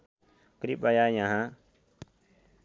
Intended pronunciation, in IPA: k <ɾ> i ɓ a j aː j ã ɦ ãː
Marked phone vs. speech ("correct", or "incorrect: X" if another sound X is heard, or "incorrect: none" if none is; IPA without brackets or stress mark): correct